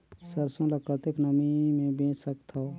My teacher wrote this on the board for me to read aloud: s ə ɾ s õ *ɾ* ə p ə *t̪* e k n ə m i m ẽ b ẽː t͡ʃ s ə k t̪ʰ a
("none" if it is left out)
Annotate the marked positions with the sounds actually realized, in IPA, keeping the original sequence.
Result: l, t̪

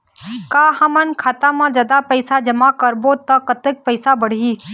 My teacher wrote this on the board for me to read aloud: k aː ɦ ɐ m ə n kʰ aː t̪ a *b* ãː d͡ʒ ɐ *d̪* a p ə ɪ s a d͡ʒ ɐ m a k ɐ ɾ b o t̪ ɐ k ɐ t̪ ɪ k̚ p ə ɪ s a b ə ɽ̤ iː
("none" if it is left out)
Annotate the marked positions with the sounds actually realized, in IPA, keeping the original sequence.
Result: m, d̪

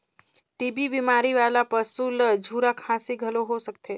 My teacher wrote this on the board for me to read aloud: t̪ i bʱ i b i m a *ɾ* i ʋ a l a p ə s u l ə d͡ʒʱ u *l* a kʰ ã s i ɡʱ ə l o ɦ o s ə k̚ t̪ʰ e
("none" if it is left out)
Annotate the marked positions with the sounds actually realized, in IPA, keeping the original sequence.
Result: ɾ, ɾ

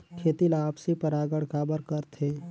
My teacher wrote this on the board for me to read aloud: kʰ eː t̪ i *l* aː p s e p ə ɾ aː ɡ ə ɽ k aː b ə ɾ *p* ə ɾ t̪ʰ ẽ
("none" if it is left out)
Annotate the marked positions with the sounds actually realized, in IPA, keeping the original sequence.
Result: l, k

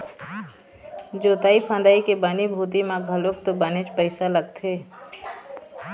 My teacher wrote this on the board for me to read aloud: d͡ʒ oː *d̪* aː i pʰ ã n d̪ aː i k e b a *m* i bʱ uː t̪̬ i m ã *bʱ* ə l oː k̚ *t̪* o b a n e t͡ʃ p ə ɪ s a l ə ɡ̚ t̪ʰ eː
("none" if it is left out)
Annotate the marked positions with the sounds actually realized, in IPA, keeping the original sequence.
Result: t̪, n, ɡʱ, t̪

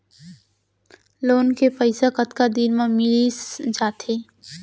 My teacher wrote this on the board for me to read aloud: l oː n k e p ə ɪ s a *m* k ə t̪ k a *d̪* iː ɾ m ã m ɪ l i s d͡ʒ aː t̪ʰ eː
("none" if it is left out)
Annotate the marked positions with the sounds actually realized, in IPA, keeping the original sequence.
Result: none, d̪

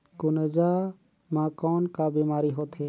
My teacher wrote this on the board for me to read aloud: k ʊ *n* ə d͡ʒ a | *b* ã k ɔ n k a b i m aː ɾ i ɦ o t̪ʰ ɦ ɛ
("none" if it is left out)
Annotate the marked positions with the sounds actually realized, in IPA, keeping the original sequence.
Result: n, m

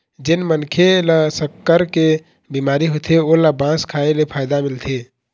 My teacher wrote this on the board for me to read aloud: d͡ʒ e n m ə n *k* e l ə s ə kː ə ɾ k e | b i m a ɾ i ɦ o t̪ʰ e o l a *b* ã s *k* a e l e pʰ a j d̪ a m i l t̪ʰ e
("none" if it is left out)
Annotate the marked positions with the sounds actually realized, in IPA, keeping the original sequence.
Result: kʰ, b, kʰ

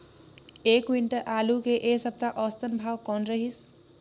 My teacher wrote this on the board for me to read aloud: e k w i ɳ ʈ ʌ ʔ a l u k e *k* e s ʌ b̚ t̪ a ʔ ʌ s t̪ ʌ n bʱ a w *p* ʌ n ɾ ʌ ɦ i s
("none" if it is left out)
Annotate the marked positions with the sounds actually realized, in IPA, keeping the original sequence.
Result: ʔ, k

